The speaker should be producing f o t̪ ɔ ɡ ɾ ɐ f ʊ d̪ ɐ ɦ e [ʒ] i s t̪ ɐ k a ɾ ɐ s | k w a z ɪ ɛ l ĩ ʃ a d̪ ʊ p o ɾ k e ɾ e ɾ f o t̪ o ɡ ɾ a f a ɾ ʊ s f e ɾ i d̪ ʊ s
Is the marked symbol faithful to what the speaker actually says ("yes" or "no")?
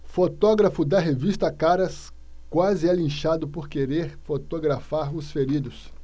no